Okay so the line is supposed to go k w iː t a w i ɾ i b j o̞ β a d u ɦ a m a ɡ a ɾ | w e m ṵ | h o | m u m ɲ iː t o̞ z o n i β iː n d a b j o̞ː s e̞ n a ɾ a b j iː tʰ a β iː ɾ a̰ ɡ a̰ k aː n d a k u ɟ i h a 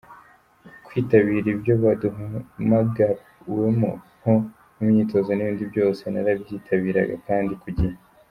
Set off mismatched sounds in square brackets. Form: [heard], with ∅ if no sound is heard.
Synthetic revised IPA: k w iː t a [β] i ɾ i b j o̞ β a d u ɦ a m a ɡ a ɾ | w e m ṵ | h o | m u m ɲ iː t o̞ z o n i β iː n d [i] b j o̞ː s e̞ n a ɾ a b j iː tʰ a β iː ɾ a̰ ɡ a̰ k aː n d [i] k u ɟ i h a